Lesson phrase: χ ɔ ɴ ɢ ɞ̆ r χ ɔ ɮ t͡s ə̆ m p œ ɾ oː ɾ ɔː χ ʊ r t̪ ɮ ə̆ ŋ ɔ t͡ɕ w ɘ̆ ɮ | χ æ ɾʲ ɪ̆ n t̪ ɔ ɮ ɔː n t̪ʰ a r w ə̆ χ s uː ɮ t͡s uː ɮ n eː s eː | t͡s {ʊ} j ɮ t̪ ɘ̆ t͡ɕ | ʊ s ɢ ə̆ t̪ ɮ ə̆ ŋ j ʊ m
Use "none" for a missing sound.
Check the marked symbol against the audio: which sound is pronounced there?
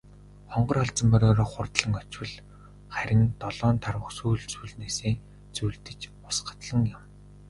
u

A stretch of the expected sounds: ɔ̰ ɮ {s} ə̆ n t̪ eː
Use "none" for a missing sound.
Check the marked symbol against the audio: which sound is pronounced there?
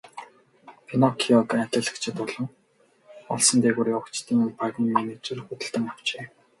s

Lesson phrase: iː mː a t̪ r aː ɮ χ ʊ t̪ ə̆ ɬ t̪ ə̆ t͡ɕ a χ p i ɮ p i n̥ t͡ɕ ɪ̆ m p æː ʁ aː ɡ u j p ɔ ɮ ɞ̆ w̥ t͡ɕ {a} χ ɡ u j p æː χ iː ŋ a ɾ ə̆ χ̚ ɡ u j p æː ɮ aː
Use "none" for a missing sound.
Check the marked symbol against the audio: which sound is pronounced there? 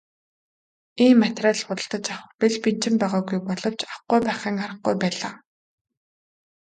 a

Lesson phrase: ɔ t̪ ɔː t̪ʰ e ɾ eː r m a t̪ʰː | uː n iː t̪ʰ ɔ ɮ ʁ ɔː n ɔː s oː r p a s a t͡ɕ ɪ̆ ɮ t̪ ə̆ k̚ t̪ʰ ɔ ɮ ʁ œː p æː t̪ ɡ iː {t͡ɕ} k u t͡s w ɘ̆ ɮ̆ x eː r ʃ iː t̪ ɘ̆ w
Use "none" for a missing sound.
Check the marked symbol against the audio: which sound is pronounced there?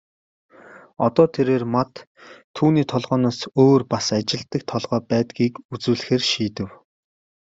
none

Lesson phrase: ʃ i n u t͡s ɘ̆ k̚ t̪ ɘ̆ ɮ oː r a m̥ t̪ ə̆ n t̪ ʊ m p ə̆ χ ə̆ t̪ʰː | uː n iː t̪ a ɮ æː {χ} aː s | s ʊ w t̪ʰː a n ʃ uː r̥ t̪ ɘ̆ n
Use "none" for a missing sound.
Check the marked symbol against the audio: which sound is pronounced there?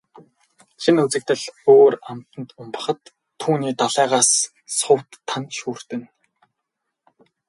ʁ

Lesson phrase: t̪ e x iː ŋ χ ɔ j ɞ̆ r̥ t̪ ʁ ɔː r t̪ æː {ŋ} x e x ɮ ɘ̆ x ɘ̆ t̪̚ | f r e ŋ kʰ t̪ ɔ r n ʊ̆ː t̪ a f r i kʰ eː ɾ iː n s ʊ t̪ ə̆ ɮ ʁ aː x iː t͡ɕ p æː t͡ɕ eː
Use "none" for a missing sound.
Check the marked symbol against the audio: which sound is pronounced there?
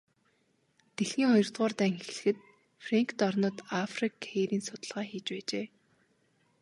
ŋ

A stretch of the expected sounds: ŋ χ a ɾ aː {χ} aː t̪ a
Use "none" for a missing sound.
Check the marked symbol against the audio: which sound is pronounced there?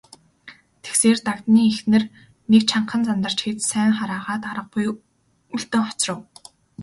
ʁ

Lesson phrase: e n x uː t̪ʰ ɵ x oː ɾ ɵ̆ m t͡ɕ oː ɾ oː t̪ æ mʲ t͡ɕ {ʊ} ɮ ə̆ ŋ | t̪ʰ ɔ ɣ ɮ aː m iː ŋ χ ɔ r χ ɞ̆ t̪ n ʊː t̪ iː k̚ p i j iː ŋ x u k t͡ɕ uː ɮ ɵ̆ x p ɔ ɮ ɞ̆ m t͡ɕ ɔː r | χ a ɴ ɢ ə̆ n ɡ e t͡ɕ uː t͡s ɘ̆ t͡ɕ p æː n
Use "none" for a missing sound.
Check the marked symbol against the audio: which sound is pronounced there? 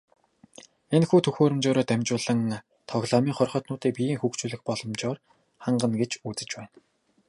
ʊː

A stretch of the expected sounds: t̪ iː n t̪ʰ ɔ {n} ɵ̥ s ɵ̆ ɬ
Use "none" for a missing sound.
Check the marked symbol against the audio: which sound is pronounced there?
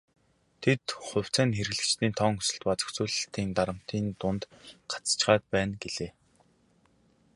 ŋ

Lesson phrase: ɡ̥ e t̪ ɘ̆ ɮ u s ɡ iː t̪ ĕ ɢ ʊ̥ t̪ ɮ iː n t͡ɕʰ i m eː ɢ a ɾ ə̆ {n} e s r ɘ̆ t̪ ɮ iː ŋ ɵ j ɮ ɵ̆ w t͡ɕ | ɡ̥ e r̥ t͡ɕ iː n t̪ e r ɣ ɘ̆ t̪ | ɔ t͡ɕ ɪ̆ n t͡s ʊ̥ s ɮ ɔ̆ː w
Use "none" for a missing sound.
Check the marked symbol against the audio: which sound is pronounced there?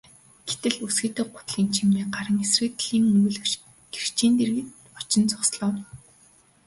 ŋ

